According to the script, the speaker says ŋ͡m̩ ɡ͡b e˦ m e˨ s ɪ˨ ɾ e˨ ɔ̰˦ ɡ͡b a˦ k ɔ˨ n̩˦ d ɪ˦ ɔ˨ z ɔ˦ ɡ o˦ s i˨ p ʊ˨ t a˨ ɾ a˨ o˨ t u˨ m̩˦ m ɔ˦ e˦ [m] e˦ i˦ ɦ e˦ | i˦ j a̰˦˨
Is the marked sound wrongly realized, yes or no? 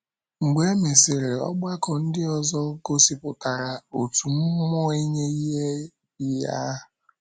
yes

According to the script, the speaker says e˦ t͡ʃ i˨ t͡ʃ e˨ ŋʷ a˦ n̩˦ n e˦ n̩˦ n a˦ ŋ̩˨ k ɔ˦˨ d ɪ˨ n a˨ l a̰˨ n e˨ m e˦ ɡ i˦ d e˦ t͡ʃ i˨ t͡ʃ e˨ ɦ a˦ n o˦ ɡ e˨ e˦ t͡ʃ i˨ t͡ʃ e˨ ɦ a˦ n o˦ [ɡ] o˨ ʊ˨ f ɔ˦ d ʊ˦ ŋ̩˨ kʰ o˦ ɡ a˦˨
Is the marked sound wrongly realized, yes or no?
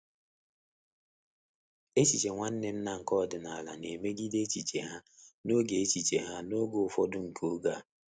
no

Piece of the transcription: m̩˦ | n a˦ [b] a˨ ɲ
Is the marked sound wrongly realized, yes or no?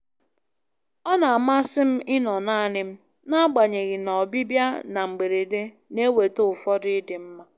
yes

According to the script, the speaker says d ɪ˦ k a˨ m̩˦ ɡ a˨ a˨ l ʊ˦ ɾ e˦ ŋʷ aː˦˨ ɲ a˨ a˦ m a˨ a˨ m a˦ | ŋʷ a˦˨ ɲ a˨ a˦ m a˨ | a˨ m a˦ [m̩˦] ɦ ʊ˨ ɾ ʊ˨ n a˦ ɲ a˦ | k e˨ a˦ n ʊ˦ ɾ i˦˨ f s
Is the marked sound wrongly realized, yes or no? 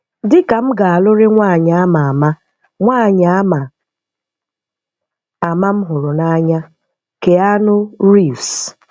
no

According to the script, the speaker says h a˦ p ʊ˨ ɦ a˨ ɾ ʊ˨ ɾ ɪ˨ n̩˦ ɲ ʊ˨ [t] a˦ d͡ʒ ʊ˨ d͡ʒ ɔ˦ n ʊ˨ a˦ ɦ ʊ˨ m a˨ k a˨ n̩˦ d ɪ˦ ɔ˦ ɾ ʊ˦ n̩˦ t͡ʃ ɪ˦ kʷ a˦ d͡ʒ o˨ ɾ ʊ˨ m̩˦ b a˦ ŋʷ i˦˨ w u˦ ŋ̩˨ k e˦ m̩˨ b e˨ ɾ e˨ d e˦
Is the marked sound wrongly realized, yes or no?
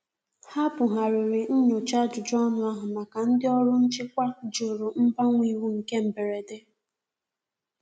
yes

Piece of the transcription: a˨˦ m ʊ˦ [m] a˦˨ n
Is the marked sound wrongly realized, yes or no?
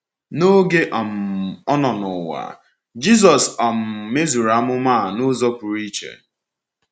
no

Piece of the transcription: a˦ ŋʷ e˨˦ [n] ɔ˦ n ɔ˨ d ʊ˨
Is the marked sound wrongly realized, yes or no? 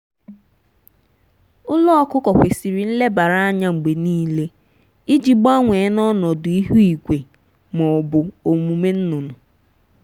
no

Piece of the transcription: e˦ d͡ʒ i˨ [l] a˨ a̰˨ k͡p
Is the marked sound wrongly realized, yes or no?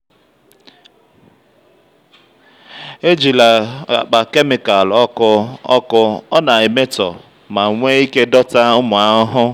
no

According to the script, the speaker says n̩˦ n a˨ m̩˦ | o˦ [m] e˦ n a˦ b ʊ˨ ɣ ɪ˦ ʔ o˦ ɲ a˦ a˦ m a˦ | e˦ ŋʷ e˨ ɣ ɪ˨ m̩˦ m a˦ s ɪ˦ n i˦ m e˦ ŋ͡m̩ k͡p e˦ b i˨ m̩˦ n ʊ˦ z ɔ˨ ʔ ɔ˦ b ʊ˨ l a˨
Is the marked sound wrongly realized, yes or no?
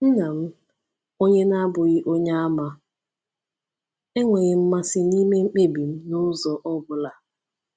yes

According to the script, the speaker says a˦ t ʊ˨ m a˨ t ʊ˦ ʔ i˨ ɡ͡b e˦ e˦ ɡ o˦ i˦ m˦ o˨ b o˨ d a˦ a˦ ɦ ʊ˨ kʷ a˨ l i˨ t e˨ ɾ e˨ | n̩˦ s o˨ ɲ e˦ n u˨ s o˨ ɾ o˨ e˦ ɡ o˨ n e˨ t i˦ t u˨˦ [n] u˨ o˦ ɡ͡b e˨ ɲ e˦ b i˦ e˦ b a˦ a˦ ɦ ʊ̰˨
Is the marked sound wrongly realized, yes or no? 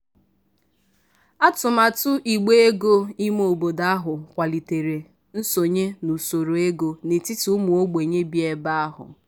yes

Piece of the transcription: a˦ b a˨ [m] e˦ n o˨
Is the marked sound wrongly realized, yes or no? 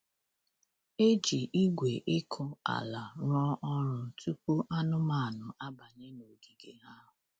yes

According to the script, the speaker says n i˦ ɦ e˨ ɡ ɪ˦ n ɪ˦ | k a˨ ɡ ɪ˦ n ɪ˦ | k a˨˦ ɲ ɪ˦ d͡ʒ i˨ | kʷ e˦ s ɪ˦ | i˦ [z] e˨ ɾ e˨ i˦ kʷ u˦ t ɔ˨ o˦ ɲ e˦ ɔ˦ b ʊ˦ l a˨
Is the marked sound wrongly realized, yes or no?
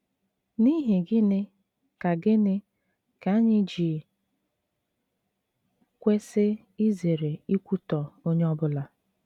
no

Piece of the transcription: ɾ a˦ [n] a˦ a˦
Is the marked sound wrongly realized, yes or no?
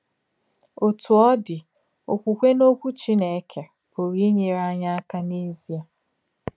yes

